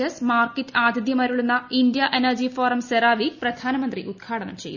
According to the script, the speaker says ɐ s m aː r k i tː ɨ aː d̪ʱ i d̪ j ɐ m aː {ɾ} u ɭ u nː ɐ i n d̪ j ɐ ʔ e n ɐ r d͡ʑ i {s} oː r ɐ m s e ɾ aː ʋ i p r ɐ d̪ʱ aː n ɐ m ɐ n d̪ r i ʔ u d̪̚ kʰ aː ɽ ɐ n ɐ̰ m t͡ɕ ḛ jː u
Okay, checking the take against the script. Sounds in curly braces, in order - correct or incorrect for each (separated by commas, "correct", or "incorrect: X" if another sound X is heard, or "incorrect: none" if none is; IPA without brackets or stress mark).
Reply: correct, incorrect: f